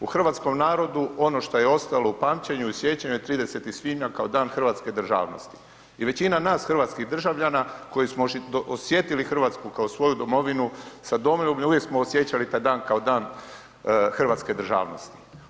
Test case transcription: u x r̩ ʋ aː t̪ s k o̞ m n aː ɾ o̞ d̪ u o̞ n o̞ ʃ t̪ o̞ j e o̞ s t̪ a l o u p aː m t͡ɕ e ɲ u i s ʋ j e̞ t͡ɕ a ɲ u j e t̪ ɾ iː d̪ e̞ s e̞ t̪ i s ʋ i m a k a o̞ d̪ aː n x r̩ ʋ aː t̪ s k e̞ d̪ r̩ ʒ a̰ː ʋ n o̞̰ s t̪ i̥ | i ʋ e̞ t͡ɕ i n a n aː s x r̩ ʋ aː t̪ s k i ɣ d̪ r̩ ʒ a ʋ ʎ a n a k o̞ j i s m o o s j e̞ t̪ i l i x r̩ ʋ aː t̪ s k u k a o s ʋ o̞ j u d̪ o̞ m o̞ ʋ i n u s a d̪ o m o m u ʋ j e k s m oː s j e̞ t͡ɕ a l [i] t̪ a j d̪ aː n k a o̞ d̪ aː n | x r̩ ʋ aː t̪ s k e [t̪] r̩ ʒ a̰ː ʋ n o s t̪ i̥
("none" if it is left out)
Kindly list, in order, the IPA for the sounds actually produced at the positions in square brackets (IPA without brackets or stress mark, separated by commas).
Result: i, d̪